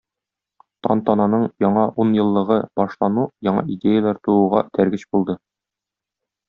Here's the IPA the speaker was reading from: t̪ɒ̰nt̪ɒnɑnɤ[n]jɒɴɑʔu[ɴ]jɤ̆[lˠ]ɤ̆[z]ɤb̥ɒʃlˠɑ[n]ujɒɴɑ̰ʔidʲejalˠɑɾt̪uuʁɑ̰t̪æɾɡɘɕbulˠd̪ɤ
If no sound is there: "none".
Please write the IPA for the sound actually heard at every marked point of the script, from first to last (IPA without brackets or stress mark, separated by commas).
ɴ, n, lˠː, ʁ, n